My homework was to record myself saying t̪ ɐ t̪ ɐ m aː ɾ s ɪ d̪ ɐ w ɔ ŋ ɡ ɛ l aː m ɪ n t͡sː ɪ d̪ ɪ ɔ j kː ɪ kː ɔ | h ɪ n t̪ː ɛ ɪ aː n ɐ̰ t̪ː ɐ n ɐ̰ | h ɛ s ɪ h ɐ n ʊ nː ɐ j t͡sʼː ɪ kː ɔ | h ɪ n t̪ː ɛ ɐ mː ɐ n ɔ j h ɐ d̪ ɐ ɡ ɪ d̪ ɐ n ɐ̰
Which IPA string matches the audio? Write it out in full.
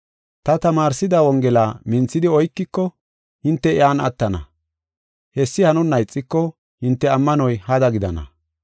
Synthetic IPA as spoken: t̪ ɐ t̪ ɐ m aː ɾ s ɪ d̪ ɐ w ɔ ŋ ɡ ɛ l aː m ɪ n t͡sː ɪ d̪ ɪ ɔ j kː ɪ kː ɔ | h ɪ n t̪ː ɛ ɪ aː n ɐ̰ t̪ː ɐ n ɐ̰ | h ɛ sː ɪ h ɐ n ʊ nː ɐ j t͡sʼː ɪ kː ɔ | h ɪ n t̪ː ɛ ɐ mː ɐ n ɔ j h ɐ d̪ ɐ ɡ ɪ d̪ ɐ n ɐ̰